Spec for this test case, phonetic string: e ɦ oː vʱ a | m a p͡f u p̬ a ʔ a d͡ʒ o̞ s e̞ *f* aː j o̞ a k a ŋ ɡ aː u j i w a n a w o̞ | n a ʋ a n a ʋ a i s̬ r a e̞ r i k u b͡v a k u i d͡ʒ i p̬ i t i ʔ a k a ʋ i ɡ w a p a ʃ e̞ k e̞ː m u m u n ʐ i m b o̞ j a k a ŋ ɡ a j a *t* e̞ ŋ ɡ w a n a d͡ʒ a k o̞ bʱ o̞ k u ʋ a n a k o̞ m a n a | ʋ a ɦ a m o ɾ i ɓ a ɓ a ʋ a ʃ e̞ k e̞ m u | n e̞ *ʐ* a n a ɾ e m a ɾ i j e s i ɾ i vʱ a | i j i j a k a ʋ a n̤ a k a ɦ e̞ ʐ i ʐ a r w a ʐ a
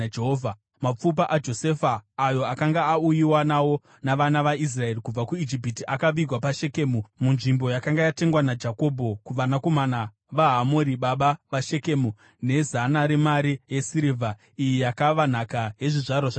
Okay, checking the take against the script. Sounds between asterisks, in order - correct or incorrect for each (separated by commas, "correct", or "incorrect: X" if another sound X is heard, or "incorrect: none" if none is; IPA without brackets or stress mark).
correct, correct, incorrect: z